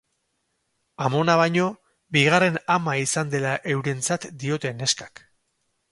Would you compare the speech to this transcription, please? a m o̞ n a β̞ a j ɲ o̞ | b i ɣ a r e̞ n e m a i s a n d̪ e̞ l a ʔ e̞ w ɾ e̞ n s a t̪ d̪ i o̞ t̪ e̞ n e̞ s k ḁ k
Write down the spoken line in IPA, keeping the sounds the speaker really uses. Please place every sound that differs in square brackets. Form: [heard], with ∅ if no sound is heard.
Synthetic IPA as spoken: a m o̞ n a β̞ a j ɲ o̞ | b i ɣ a r e̞ n [a] m a i s a n d̪ e̞ l a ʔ e̞ w ɾ e̞ n [t͡s] a t̪ d̪ i o̞ t̪ e̞ n e̞ s k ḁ k